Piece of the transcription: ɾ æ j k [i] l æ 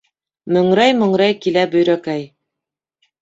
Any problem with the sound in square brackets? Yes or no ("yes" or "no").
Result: no